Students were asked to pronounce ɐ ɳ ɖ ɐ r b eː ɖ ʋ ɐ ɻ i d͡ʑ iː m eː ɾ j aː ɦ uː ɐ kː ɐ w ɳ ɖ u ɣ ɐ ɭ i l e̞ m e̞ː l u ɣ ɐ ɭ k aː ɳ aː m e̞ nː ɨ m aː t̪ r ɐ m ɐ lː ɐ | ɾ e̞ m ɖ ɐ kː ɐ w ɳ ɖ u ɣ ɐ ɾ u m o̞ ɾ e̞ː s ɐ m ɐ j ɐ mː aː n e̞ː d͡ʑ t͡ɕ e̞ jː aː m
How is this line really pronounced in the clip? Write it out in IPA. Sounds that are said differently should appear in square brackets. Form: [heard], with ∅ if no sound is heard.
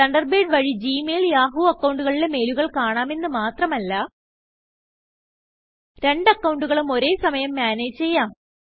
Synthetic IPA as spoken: ɐ ɳ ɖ ɐ r b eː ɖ ʋ ɐ ɻ i d͡ʑ iː m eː [l] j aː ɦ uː ɐ kː ɐ w ɳ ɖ u ɣ ɐ ɭ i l e̞ m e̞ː l u ɣ ɐ ɭ k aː ɳ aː m e̞ nː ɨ m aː t̪ r ɐ m ɐ lː ɐ | ɾ e̞ [ɳ] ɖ ɐ kː ɐ w ɳ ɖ u ɣ ɐ [ɭ] u m o̞ ɾ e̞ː s ɐ m ɐ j ɐ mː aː n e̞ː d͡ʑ t͡ɕ e̞ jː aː m